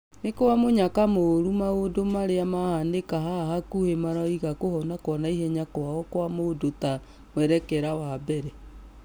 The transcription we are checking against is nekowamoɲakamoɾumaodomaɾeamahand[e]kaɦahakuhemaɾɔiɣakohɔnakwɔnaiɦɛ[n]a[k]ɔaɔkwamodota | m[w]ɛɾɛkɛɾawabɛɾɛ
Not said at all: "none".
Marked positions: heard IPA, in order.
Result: e, ɲ, k, w

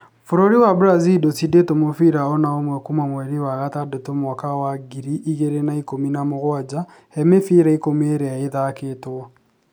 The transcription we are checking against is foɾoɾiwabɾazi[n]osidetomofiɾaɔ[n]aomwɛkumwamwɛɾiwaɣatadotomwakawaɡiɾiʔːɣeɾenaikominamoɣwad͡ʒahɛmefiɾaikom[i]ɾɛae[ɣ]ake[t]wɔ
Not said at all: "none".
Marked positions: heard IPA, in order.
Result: d, n, e, ð, t

